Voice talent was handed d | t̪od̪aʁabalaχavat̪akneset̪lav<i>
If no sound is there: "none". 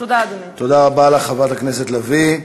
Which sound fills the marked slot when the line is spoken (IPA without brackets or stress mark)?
i